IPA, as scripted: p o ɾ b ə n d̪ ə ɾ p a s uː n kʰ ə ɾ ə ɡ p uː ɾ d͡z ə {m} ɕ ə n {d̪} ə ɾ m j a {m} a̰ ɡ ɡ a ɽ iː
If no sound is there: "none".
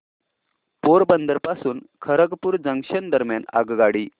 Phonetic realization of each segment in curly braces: ŋ, d̪, n

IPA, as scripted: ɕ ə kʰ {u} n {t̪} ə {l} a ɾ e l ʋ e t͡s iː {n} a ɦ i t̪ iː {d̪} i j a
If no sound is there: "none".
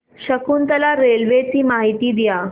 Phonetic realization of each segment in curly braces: uː, t̪, l, m, d̪

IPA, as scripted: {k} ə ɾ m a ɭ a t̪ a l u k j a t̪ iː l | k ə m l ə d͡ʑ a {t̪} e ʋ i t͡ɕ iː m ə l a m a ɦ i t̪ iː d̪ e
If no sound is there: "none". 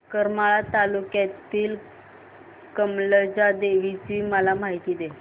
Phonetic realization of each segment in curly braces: k, d̪

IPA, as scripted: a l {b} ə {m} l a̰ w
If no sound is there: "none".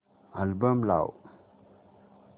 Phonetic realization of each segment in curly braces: b, m

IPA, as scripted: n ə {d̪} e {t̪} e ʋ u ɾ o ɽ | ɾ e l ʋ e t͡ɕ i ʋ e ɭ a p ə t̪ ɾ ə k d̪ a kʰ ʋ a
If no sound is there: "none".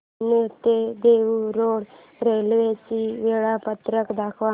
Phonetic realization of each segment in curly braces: t̪, d̪

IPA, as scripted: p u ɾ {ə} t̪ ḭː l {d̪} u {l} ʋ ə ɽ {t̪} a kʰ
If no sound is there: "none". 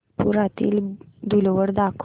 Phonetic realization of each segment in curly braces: a, d̪, l, d̪

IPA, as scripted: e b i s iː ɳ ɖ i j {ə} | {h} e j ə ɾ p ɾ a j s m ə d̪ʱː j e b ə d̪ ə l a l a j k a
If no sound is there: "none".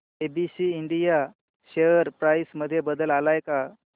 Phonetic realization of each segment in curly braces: a, ɕ

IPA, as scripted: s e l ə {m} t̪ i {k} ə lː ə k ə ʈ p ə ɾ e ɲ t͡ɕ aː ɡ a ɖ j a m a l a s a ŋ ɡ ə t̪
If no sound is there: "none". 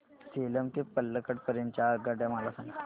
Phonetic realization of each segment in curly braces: m, p

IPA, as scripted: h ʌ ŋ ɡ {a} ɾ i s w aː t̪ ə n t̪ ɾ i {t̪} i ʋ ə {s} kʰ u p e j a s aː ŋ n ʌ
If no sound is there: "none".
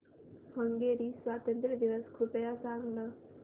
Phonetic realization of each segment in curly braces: e, d̪, s

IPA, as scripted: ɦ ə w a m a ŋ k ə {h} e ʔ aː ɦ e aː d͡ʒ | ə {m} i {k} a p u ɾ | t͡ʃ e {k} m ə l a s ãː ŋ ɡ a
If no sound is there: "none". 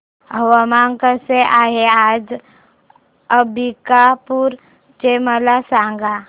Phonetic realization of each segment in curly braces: s, b, k, none

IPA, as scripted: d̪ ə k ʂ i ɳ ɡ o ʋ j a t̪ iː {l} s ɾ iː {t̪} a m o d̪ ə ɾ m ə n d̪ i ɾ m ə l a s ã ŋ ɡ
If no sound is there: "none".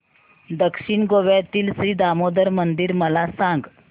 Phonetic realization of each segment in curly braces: l, d̪

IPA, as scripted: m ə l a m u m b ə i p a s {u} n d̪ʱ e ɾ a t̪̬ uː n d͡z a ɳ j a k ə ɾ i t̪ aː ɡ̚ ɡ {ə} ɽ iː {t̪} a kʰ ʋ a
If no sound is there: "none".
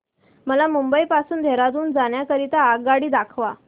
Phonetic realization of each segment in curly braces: uː, a, d̪

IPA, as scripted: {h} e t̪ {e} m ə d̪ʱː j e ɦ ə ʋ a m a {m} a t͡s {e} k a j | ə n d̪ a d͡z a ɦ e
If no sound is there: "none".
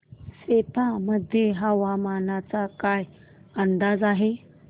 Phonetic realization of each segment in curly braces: s, a, n, a

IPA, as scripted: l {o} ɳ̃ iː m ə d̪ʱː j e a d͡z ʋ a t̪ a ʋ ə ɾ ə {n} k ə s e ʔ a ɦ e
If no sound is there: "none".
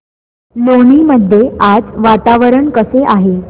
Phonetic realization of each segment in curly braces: o, ɳ

